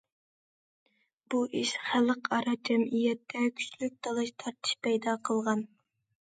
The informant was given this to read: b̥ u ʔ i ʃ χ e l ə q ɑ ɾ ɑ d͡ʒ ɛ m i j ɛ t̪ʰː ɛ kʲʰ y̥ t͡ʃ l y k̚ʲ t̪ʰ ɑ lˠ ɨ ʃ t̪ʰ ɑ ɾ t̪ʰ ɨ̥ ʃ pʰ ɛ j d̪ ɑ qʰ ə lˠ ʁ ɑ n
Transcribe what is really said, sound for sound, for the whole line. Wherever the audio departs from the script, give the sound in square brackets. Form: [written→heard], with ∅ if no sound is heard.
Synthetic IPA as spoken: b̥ u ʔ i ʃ χ [e→æ] l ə q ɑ ɾ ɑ d͡ʒ ɛ m i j ɛ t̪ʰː ɛ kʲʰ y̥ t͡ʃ l y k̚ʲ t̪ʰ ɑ lˠ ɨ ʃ t̪ʰ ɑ ɾ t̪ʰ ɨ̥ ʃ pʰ ɛ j d̪ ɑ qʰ ə lˠ ʁ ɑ n